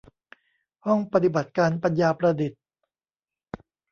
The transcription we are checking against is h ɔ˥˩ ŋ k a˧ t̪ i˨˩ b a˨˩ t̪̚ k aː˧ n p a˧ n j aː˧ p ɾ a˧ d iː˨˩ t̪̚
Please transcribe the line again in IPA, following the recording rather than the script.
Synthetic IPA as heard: h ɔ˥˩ ŋ p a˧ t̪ i˨˩ b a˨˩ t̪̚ k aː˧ n p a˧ n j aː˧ p ɾ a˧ d i˨˩ t̪̚